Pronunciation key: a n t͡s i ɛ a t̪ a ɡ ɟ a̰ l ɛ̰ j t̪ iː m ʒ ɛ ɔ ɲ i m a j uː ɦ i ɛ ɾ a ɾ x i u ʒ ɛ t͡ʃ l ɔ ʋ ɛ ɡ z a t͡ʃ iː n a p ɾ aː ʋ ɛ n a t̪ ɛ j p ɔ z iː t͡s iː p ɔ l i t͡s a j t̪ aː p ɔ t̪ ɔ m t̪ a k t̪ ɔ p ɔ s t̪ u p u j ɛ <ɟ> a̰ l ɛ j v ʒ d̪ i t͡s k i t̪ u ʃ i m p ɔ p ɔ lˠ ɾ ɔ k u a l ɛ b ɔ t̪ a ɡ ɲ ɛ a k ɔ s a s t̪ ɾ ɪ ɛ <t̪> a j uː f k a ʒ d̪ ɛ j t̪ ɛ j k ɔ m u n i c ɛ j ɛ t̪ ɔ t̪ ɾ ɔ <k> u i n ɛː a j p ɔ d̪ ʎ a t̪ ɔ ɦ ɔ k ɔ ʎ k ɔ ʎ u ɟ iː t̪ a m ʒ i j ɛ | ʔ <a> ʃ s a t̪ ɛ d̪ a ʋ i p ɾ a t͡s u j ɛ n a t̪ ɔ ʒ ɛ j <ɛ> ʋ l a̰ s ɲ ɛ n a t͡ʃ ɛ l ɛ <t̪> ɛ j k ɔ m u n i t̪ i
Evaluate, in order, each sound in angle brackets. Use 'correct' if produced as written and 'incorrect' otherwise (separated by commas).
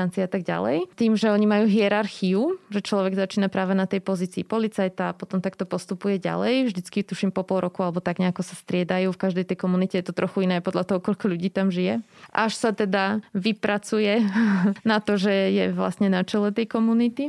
correct, incorrect, incorrect, correct, correct, correct